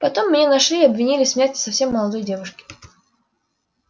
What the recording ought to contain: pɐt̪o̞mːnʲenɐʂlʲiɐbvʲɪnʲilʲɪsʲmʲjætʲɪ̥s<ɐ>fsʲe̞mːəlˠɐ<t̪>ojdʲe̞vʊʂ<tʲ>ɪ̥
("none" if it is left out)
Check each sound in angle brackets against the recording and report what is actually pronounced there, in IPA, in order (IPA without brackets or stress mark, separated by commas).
ɐ, d̪, kʲ